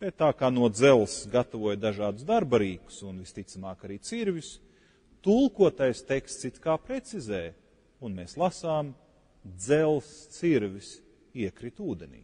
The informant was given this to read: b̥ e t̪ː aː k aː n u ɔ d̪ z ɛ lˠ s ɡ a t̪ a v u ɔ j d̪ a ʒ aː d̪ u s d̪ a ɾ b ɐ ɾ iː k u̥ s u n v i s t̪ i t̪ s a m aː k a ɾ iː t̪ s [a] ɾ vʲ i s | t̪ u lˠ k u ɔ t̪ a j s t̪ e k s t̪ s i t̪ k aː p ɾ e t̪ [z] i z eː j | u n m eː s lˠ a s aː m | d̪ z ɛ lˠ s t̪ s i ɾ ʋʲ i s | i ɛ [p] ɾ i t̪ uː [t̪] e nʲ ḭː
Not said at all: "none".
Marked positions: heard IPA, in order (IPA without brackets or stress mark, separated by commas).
i, s, k, d̪